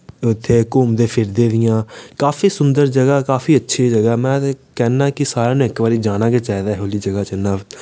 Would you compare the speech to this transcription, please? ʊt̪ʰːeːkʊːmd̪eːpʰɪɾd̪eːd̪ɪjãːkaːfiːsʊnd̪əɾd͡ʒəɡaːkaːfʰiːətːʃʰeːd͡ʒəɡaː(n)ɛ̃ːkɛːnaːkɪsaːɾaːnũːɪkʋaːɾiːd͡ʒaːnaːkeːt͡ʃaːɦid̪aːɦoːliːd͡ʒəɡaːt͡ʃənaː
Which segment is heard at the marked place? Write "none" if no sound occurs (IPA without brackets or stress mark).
m